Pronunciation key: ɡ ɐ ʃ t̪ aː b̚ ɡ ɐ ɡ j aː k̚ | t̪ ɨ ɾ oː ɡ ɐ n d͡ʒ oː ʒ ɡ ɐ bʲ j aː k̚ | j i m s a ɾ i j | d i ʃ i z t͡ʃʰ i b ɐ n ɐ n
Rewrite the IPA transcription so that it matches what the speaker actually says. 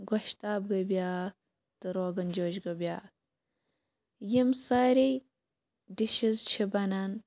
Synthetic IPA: ɡ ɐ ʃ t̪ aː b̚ ɡ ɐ b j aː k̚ | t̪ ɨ ɾ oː ɡ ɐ n d͡ʒ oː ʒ ɡ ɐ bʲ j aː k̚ | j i m s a ɾ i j | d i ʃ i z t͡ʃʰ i b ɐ n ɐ n

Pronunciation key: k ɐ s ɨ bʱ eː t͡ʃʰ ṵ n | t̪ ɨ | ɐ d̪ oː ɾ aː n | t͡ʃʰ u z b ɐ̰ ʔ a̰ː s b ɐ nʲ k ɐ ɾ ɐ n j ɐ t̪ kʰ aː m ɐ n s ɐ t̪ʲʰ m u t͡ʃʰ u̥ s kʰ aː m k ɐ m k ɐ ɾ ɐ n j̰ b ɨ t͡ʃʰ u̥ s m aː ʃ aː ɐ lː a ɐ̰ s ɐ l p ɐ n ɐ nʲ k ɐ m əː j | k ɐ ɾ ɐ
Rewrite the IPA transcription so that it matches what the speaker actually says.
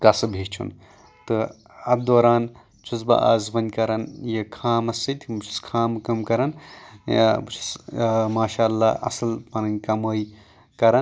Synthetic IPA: k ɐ s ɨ bʱ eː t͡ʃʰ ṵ n | t̪ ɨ | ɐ d̪ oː ɾ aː n | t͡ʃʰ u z b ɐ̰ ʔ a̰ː z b ɐ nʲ k ɐ ɾ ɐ n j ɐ kʰ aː m ɐ s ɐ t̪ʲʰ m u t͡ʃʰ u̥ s kʰ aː m k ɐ m k ɐ ɾ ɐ n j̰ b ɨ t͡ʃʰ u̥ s m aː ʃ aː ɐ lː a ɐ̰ s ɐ l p ɐ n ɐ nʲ k ɐ m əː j | k ɐ ɾ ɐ

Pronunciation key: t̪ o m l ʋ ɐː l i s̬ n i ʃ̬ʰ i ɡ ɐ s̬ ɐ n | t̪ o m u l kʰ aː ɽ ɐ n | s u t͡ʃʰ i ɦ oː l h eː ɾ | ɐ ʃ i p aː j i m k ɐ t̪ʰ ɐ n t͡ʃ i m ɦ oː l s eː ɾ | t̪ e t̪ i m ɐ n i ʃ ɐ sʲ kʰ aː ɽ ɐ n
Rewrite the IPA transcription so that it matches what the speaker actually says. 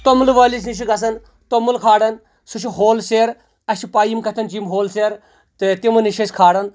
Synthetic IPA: t̪ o m l ʋ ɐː l i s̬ n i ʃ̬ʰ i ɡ ɐ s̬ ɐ n | t̪ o m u l kʰ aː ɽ ɐ n | s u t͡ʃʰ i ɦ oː l s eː ɾ | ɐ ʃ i p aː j i m k ɐ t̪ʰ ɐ n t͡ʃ i m ɦ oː l s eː ɾ | t̪ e t̪ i m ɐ n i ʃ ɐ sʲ kʰ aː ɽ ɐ n

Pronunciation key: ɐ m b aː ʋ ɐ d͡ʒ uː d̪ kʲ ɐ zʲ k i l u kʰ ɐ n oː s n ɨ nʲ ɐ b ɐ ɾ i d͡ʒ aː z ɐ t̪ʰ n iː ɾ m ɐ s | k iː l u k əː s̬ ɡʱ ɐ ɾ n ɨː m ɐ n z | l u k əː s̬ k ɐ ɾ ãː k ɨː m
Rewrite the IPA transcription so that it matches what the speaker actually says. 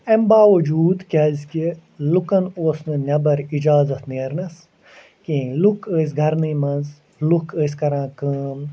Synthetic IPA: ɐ m b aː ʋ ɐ d͡ʒ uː d̪ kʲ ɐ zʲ k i l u k ɐ n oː s n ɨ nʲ ɐ b ɐ ɾ i d͡ʒ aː z ɐ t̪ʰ n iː ɾ n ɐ s | k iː l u k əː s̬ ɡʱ ɐ ɾ n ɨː m ɐ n z | l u k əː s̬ k ɐ ɾ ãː k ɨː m

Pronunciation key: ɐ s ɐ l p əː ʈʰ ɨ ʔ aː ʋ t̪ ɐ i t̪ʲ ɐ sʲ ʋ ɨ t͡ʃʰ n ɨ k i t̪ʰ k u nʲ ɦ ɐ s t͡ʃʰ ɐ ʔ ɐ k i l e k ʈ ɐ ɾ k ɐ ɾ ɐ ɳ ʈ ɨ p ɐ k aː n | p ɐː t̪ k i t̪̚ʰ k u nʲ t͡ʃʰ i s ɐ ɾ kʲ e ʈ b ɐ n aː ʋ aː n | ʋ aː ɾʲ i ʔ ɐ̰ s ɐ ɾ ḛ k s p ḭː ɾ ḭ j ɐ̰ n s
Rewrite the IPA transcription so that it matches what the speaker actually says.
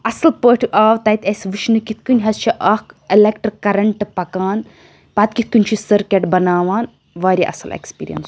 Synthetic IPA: ɐ s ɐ l p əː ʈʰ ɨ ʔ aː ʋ t̪ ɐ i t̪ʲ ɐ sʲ ʋ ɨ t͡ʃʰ n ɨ k i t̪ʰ k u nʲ ɦ ɐ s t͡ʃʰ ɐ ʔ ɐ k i l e k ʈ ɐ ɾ k ɐ ɾ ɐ ɳ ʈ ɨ p ɐ k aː n | p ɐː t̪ k i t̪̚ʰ k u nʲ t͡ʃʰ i s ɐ ɾ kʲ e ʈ b ɐ n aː ʋ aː n | ʋ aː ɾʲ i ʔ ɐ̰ s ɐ l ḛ k s p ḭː ɾ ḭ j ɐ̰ n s

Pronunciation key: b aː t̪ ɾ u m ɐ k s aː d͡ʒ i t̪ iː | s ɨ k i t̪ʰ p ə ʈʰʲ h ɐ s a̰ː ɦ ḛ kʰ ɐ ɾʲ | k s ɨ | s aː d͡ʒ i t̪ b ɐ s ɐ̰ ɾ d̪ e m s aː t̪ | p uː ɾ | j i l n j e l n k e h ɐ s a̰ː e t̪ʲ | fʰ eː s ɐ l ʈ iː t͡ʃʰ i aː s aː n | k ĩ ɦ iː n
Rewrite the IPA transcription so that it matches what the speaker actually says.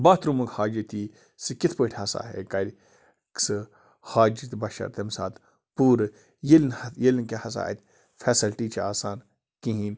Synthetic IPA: b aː t̪ ɾ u m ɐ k h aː d͡ʒ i t̪ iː | s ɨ k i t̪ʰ p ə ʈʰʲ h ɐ s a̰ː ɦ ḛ k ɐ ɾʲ | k s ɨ | h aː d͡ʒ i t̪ b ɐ ʃ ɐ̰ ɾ t̪ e m s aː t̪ | p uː ɾ | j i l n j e l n k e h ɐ s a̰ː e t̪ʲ | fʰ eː s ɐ l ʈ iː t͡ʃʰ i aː s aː n | k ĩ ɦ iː n

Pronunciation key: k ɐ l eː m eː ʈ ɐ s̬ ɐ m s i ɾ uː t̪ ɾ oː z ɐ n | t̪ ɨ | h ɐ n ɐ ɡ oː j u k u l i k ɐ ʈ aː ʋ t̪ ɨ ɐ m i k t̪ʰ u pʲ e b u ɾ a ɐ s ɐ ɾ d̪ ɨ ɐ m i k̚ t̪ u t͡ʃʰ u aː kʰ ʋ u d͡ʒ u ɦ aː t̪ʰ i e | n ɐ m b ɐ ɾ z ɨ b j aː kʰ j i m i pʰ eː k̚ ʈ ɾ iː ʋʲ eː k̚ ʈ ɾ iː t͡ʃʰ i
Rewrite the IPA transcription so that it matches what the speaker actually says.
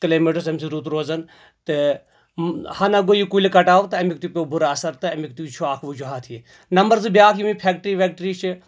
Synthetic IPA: k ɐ l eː m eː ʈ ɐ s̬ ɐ m s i ɾ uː t̪ ɾ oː z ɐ n | t̪ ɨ | h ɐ n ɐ ɡ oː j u k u l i k ɐ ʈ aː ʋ t̪ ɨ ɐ m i k t̪ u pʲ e b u ɾ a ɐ s ɐ ɾ t̪ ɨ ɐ m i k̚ t̪ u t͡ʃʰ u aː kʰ ʋ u d͡ʒ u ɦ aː t̪ʰ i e | n ɐ m b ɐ ɾ z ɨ b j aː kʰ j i m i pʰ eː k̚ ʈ ɾ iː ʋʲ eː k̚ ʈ ɾ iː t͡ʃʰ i

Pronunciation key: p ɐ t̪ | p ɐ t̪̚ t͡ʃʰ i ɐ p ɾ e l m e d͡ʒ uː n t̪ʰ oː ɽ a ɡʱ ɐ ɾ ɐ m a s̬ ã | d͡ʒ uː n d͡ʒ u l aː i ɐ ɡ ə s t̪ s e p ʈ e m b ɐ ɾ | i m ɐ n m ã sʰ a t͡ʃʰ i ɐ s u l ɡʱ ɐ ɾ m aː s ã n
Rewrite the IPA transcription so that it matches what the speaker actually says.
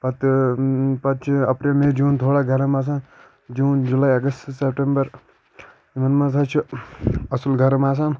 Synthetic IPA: p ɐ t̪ | p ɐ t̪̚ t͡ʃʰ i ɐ p ɾ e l m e d͡ʒ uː n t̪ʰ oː ɽ a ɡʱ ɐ ɾ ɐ m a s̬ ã | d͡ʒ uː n d͡ʒ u l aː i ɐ ɡ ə s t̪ s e p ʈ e m b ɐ ɾ | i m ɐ n m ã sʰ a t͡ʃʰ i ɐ s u l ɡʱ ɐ ɾ m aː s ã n

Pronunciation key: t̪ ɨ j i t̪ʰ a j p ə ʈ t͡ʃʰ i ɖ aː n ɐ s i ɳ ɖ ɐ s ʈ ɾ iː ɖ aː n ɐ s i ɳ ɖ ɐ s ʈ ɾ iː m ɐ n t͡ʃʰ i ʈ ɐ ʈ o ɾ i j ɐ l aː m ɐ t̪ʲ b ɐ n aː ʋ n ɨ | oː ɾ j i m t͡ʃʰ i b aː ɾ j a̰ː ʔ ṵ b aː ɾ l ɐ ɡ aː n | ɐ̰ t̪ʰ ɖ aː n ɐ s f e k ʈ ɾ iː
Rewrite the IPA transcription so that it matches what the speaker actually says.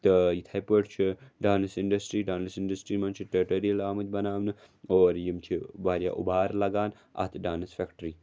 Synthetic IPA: t̪ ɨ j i t̪ʰ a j p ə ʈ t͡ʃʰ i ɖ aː n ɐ s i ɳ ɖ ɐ s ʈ ɾ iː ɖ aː n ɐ s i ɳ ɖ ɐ s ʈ ɾ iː m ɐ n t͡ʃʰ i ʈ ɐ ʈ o ɾ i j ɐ l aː m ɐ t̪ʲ b ɐ n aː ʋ n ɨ | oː ɾ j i m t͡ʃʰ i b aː ɾ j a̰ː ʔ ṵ b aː ɾ l ɐ ɡ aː n | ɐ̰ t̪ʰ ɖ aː n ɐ s f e k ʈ ɾ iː

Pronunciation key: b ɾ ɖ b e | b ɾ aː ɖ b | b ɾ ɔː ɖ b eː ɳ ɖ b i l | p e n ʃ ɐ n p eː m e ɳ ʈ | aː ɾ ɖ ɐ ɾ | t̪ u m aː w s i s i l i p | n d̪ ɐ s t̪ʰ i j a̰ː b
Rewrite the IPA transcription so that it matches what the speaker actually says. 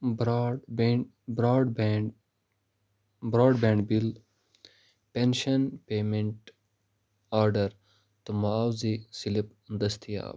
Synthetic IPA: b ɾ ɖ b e | b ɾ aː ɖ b | b ɾ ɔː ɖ b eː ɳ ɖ b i l | p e n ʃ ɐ n p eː m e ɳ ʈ | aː ɾ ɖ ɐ ɾ | t̪ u m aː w z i s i l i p | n d̪ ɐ s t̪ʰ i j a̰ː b

